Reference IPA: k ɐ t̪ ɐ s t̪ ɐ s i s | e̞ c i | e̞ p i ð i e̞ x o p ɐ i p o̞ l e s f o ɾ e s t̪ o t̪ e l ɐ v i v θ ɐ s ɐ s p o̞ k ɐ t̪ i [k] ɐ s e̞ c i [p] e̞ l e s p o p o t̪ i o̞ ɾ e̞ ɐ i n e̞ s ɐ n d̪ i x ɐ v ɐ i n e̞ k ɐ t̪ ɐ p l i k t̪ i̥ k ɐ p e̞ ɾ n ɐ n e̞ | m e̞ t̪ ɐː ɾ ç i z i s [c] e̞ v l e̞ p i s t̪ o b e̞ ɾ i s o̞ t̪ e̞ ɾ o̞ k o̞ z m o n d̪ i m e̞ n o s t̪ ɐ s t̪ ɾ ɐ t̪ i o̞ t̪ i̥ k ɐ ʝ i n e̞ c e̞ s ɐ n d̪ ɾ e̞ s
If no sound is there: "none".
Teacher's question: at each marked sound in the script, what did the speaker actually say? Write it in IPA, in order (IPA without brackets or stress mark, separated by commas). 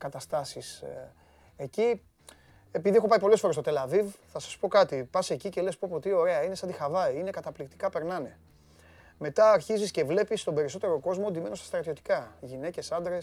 p, c, c